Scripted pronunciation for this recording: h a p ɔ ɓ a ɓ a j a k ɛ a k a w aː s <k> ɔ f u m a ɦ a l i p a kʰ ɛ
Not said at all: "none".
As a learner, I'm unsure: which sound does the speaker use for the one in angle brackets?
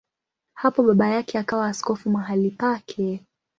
k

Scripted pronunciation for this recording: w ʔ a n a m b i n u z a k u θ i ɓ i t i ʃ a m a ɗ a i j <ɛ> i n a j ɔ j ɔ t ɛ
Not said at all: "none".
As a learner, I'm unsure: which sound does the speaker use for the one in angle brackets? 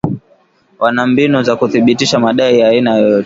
a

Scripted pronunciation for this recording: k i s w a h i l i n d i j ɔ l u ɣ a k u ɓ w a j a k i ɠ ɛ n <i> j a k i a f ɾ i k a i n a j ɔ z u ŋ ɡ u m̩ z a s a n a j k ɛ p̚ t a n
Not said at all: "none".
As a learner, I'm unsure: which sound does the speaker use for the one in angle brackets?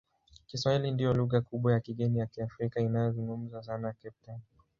i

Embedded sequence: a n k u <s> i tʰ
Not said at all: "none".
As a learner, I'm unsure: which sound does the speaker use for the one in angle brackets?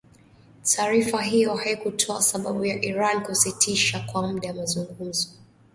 s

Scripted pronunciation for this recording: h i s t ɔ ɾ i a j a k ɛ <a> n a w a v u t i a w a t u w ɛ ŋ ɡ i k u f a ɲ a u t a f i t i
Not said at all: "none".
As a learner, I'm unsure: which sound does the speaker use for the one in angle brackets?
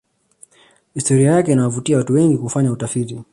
i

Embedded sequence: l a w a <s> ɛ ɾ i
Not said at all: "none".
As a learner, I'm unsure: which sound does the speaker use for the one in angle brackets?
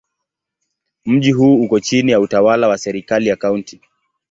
s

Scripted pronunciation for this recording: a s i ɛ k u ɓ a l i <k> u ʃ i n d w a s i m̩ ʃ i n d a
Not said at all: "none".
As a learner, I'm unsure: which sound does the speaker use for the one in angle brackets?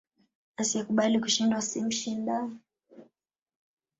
k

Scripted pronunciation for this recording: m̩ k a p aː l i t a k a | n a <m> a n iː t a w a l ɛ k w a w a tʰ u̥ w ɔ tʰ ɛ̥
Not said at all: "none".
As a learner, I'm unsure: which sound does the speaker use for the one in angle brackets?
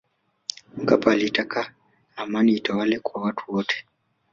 m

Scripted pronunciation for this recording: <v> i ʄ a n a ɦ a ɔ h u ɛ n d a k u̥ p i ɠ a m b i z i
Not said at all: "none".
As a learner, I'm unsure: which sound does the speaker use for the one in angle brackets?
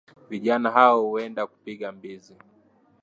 v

